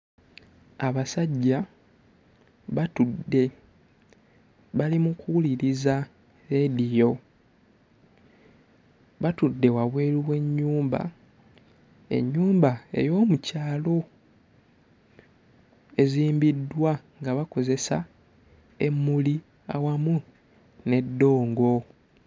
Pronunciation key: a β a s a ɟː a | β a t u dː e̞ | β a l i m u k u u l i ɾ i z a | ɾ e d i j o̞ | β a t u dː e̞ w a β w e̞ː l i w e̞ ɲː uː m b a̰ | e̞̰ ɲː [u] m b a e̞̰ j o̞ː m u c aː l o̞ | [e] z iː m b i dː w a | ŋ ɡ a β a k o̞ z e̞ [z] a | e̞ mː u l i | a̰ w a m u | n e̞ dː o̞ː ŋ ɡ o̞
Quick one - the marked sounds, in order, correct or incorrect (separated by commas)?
incorrect, correct, incorrect